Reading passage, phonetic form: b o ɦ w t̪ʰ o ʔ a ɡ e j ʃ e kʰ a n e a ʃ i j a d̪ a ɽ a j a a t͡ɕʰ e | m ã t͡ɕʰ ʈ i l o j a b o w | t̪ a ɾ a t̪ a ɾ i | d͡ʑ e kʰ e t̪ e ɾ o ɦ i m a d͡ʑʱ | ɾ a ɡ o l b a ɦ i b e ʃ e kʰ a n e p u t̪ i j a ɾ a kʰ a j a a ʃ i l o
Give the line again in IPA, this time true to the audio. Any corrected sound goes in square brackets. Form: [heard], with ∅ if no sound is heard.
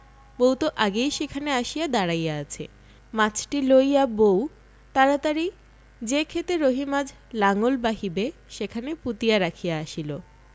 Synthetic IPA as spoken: b o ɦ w [t̪] o ʔ a ɡ e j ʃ e kʰ a n e a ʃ i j a d̪ a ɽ a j a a t͡ɕʰ e | m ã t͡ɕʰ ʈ i l o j a b o w | t̪ a ɾ a t̪ a ɾ i | d͡ʑ e kʰ e t̪ e ɾ o ɦ i m a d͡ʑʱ | [l] a [ŋ] o l b a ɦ i b e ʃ e kʰ a n e p u t̪ i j a ɾ a kʰ [i] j a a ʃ i l o